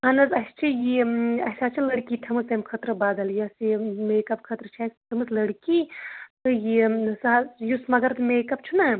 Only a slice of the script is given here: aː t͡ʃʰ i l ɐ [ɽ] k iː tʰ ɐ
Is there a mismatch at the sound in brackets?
no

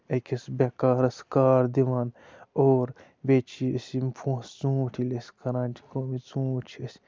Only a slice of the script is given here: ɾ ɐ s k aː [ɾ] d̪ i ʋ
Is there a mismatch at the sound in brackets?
no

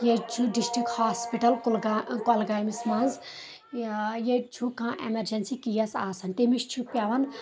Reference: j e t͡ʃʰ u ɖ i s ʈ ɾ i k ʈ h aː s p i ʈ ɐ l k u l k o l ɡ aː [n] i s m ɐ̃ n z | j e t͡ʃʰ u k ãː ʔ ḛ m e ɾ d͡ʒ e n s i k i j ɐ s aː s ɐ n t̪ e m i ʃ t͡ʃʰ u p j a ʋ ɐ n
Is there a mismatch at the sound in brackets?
yes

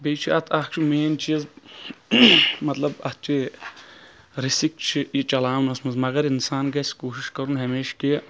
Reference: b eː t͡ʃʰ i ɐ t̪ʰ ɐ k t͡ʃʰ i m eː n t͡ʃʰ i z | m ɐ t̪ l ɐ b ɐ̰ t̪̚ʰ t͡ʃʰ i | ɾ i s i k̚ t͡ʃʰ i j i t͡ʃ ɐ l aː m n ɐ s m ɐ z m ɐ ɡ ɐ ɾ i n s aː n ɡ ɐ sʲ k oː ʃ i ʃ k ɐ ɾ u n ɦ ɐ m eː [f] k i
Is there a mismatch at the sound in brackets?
yes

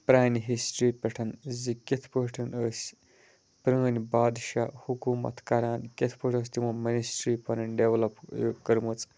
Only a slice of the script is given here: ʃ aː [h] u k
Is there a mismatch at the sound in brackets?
no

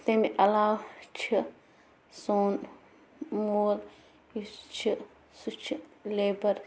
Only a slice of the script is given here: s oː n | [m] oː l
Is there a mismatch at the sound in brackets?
no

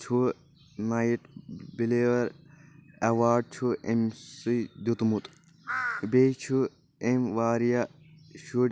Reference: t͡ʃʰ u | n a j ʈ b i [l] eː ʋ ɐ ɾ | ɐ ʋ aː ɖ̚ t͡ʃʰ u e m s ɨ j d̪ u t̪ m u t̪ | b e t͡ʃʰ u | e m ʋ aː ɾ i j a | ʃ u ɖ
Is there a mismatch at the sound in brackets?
no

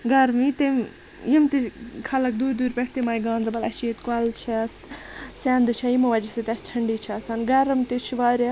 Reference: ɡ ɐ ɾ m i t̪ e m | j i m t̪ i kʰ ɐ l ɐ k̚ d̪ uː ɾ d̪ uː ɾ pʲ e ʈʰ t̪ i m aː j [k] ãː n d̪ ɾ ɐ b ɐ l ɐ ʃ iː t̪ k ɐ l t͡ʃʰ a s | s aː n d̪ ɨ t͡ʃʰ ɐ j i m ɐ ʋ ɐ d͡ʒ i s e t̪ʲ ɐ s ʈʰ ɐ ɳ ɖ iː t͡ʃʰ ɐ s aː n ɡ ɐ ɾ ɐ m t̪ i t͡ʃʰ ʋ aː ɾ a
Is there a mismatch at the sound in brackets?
yes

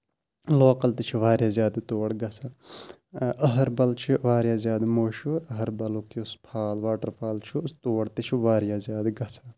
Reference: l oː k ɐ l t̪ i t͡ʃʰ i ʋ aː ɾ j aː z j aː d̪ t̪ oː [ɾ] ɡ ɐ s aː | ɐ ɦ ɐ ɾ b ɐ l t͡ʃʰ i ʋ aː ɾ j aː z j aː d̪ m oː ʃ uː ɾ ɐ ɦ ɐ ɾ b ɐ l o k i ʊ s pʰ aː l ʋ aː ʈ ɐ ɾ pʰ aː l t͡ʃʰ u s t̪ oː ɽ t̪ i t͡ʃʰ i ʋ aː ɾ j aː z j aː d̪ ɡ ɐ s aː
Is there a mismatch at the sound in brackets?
yes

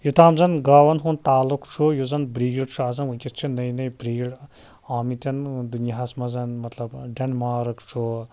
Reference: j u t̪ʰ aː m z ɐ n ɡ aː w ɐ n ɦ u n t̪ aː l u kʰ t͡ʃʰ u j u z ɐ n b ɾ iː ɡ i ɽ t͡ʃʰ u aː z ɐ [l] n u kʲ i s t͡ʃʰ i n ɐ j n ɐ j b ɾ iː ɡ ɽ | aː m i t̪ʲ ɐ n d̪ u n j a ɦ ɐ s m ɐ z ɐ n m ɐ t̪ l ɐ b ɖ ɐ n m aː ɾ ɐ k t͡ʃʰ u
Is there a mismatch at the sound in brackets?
yes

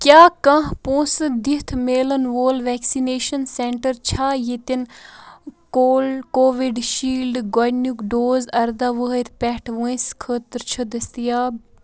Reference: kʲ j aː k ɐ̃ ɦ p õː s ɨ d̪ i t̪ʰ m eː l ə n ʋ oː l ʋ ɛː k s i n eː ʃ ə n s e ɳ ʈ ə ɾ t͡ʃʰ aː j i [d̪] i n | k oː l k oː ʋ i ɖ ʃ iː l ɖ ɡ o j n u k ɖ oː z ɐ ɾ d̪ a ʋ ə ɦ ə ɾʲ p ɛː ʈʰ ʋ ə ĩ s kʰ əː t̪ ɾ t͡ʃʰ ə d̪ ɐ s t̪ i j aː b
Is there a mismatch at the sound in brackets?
yes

